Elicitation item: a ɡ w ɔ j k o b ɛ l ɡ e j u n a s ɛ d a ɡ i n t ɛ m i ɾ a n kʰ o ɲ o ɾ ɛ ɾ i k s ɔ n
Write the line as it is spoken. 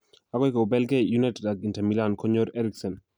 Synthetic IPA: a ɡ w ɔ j k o b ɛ l ɡ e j u n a t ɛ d a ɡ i n t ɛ m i l a n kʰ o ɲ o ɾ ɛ ɾ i k s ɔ n